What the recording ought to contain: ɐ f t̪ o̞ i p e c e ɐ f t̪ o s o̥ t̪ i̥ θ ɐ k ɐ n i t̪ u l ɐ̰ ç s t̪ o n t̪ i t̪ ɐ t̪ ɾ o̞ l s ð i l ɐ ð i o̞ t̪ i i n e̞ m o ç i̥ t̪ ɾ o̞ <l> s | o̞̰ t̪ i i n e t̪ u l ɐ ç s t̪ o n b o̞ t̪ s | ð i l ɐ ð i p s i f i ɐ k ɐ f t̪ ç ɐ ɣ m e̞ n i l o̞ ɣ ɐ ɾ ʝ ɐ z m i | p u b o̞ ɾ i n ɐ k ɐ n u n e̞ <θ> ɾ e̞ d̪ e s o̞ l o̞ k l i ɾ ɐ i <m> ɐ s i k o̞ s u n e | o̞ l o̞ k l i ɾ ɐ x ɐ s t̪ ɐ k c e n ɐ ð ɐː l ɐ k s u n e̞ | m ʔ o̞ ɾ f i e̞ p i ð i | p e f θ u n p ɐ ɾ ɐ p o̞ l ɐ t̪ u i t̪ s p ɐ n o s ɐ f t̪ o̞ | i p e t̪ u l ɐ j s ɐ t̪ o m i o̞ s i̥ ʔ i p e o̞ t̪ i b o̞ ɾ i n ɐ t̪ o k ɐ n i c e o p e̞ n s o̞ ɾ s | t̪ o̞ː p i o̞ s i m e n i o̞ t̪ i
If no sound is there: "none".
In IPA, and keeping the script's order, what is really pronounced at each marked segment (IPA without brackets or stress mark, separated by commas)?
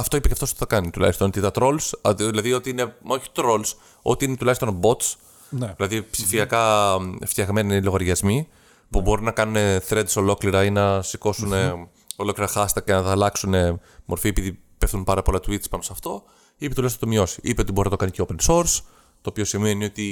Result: l, θ, n